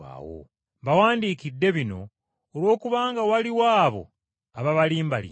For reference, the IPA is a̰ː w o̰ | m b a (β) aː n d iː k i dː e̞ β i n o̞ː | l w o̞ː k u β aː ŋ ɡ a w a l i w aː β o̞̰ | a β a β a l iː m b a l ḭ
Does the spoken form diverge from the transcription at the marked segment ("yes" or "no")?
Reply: yes